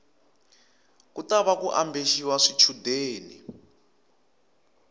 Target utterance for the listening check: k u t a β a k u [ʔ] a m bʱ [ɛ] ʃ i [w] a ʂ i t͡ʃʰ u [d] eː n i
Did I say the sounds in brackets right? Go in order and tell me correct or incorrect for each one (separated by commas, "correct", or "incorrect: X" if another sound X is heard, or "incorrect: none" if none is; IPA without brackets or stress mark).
correct, incorrect: e, correct, correct